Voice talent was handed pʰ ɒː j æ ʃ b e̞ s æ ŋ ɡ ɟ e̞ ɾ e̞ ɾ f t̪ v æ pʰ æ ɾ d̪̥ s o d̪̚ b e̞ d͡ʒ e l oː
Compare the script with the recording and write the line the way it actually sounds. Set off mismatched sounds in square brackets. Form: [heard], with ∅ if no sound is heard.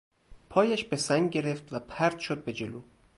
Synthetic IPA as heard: pʰ ɒː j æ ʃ b e̞ s æ ŋ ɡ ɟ e̞ ɾ e̞ [∅] f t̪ v æ pʰ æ ɾ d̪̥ [ʃ] o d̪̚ b e̞ d͡ʒ e l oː